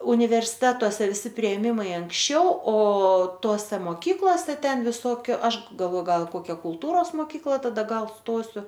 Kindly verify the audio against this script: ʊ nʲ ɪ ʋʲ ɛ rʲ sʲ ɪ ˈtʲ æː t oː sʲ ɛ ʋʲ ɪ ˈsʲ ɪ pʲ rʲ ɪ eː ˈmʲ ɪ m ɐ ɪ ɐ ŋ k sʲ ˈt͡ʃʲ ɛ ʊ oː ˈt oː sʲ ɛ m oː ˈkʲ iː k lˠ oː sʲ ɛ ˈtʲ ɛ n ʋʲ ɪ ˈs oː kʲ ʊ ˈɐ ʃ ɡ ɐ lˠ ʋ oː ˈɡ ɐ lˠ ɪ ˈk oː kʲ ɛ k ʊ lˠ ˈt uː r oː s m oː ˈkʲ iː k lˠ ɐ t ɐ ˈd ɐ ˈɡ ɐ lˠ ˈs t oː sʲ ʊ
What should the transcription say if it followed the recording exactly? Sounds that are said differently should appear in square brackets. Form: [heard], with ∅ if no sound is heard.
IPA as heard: ʊ nʲ ɪ ʋʲ ɛ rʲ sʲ ɪ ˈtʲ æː t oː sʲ ɛ ʋʲ ɪ ˈsʲ ɪ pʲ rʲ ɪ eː ˈmʲ ɪ m ɐ ɪ ɐ ŋ k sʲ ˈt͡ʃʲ ɛ ʊ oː ˈt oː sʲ ɛ m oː ˈkʲ iː k lˠ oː sʲ ɛ ˈtʲ ɛ n ʋʲ ɪ ˈs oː kʲ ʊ ˈɐ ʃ ɡ ɐ lˠ ʋ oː ˈɡ ɐ lˠ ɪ ˈk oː kʲ ɛ k ʊ lˠ ˈt uː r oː s m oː ˈkʲ iː k lˠ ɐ t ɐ ˈd ɐ ˈɡ ɐ lˠ ˈs t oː sʲ ʊ